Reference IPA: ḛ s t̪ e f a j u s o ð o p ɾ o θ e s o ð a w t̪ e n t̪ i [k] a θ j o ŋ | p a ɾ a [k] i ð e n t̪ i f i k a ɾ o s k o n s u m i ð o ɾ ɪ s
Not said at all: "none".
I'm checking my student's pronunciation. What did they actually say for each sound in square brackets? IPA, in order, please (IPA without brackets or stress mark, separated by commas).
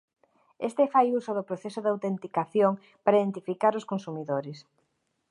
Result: k, none